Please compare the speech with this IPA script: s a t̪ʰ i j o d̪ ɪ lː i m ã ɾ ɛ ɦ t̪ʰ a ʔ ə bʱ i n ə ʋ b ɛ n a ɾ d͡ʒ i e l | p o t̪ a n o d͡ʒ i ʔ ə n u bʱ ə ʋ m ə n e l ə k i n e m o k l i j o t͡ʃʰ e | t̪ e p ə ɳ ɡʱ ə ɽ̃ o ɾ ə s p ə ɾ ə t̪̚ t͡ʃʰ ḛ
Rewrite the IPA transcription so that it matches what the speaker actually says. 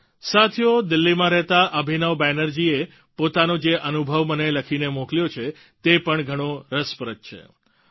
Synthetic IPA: s a t̪ʰ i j o d̪ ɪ lː i m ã ɾ ɛ ɦ t̪ a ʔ ə bʱ i n ə ʋ b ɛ n ə ɾ d͡ʒ i e | p o t̪ a n o d͡ʒ e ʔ ə n u bʱ ə ʋ m ə n e l ə kʰ i n e m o k l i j o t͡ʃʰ e | t̪ e p ə ɳ ɡʱ ə ɽ̃ o ɾ ə s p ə ɾ ə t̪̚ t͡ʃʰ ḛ